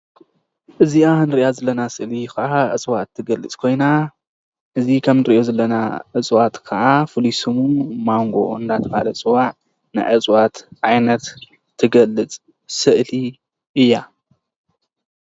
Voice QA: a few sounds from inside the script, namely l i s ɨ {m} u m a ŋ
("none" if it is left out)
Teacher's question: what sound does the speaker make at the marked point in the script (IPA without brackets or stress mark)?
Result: m